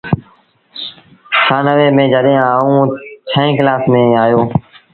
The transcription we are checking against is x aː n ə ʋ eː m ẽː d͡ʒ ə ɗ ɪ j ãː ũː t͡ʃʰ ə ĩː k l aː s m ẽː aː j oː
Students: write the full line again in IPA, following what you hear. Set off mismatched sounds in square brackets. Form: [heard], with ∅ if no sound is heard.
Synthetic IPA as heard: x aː n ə ʋ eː m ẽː d͡ʒ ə ɗ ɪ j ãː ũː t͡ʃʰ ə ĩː k l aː s m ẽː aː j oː